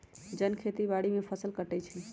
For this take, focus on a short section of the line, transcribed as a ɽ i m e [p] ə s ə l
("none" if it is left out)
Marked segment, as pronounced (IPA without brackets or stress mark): pʰ